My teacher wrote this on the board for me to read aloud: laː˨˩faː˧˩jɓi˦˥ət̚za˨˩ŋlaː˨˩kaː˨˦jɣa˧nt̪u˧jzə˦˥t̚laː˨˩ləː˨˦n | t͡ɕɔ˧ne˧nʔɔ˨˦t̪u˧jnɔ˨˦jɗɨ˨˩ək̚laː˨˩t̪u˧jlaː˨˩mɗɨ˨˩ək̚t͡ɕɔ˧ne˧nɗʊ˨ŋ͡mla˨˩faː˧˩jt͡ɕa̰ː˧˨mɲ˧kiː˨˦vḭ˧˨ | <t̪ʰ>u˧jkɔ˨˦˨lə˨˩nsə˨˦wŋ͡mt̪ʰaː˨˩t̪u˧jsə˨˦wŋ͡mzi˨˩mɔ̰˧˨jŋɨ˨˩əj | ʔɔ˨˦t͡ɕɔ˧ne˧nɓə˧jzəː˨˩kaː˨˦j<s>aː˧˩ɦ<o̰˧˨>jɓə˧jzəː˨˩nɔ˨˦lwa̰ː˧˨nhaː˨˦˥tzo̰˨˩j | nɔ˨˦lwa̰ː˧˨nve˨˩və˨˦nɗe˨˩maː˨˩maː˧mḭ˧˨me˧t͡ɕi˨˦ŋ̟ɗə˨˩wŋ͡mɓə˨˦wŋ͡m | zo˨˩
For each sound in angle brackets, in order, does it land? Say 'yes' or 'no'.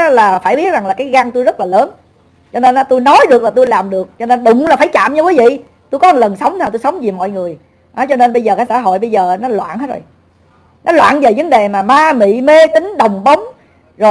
no, yes, yes

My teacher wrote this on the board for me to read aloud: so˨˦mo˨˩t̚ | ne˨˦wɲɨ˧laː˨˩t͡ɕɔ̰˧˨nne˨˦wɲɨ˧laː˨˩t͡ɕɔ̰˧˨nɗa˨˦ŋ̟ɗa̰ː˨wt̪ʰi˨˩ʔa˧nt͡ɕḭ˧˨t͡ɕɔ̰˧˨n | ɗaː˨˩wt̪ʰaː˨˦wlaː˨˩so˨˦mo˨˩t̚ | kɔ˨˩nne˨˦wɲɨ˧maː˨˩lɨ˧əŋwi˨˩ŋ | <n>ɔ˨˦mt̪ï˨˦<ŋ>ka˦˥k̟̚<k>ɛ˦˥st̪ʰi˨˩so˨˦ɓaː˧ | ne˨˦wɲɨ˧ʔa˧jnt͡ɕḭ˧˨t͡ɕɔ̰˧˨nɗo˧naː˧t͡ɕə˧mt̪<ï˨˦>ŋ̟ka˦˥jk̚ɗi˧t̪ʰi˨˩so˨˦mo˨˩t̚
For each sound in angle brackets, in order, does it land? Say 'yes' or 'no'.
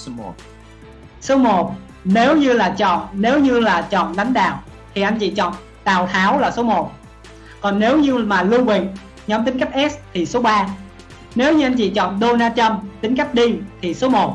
no, yes, no, yes

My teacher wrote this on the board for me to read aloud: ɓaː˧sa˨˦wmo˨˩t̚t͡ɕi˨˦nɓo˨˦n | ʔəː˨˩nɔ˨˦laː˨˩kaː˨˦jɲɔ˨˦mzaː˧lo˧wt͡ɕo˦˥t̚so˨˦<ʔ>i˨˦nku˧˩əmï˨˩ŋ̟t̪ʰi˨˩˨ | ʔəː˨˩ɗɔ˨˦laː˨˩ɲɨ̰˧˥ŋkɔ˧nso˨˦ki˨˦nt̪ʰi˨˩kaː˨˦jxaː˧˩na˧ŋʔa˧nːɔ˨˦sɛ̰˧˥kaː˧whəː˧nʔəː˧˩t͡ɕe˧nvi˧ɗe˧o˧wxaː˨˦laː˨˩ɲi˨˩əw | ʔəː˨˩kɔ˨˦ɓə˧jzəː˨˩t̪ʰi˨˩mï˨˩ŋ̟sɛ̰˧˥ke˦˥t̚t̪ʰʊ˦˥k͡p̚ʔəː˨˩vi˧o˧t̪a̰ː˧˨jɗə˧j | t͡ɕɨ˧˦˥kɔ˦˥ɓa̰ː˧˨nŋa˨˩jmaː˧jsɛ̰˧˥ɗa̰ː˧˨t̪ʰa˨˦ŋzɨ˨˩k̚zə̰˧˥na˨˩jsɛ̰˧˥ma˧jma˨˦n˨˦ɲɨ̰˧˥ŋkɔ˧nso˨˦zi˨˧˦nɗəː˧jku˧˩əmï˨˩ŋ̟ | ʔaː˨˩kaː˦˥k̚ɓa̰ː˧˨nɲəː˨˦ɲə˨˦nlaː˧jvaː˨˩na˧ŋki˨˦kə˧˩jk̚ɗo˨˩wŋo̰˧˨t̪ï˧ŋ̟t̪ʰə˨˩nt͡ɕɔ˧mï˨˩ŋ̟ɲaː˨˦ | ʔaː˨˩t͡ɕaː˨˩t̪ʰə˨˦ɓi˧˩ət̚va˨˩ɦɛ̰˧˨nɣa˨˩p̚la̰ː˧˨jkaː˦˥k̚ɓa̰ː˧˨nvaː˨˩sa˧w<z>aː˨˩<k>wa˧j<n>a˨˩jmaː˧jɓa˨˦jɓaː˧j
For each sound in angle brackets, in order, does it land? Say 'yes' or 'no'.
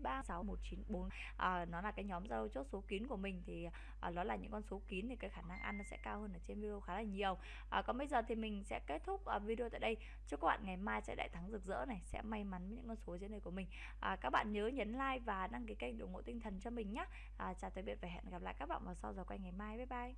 no, yes, yes, no

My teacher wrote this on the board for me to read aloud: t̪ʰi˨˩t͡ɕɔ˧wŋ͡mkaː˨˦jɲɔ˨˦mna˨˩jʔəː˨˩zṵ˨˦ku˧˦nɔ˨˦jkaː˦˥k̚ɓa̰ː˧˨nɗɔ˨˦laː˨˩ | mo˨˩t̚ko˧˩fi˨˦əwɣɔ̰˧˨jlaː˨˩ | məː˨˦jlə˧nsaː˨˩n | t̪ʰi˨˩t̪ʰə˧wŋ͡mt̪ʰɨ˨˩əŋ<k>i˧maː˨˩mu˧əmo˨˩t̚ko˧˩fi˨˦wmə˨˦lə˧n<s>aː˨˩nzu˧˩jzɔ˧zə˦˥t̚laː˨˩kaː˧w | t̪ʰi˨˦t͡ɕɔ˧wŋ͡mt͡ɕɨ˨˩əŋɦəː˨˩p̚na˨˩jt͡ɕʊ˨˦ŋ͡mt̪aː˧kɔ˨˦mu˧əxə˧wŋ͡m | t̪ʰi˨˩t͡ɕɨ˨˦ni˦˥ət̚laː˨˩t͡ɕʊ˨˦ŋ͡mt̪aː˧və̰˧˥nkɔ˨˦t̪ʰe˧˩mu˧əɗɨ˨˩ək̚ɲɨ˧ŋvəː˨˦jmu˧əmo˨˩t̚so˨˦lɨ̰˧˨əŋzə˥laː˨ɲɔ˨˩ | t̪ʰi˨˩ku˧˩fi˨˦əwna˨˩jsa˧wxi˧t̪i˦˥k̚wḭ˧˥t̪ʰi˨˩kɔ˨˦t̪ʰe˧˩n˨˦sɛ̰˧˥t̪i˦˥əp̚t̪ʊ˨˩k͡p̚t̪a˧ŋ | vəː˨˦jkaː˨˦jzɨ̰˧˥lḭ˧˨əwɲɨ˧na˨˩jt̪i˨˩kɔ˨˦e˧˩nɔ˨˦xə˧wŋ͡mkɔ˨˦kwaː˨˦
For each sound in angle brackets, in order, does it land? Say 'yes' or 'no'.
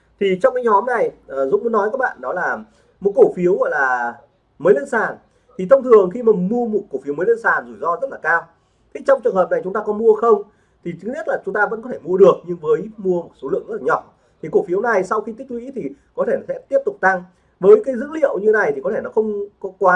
no, yes

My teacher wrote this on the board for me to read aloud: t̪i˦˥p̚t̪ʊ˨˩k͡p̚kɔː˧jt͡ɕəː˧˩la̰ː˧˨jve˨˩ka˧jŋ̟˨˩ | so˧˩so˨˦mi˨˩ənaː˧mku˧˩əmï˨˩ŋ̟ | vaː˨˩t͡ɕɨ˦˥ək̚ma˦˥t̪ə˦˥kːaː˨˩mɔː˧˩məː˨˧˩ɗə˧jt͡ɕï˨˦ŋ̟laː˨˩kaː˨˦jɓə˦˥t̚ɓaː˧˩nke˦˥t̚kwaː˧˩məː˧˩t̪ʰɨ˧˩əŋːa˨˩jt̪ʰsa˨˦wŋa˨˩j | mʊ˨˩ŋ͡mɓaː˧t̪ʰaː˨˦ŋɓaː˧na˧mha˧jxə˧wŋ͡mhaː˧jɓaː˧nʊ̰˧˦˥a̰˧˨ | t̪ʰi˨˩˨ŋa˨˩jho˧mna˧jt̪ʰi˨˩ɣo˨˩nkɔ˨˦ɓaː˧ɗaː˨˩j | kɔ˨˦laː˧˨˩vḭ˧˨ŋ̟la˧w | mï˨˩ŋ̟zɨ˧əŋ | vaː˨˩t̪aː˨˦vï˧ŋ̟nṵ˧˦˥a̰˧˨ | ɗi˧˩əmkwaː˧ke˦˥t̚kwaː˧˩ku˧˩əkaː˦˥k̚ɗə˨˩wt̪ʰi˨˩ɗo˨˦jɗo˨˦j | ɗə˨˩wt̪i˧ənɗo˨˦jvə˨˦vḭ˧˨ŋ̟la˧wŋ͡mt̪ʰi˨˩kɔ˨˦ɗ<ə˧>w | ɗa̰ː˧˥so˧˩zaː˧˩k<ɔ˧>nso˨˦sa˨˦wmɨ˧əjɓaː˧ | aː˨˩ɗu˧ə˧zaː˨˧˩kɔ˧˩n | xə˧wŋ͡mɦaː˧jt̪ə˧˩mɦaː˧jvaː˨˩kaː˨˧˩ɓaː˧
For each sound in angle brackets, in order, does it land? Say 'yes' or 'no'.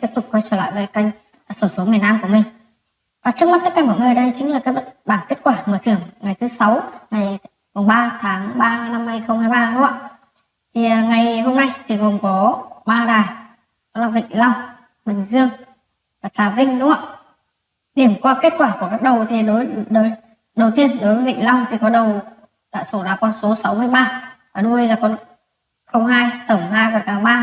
no, yes

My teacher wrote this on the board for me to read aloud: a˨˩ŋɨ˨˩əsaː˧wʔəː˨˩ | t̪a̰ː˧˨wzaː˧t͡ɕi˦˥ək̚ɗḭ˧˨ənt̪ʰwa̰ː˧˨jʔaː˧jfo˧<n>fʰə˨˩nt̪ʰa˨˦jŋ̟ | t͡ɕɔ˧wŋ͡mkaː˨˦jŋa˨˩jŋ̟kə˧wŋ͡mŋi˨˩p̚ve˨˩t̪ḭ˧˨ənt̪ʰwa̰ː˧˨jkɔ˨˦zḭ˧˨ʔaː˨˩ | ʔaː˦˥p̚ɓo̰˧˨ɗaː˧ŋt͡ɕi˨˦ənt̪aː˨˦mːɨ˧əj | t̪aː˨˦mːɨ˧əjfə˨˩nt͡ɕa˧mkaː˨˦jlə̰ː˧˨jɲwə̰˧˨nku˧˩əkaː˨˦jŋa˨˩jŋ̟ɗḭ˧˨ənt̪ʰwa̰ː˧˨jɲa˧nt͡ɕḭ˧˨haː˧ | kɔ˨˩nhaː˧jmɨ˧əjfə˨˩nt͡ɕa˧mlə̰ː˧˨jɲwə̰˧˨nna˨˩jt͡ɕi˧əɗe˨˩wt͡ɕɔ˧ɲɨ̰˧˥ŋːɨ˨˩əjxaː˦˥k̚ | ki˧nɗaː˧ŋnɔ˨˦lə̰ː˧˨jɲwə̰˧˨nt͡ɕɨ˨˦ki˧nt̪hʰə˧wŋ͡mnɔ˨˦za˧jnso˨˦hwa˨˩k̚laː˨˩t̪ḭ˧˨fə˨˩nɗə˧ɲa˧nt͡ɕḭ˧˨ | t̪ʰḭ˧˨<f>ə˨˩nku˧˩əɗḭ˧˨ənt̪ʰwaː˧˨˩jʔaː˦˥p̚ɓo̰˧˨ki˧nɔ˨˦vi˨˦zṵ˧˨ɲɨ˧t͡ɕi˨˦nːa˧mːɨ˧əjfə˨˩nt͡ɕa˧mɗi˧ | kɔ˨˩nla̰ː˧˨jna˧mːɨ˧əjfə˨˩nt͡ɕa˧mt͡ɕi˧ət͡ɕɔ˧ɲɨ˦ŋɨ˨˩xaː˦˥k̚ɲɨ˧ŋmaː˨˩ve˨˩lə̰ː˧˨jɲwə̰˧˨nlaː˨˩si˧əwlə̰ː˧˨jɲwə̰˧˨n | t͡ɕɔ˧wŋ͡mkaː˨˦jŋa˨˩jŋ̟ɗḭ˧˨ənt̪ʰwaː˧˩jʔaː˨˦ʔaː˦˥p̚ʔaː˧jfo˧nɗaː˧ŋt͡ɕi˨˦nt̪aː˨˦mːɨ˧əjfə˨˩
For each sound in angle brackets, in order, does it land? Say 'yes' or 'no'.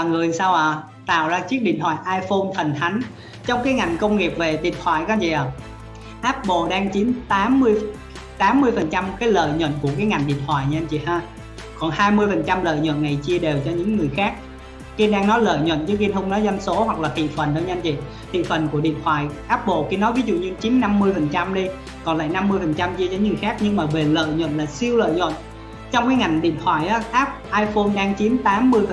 yes, yes

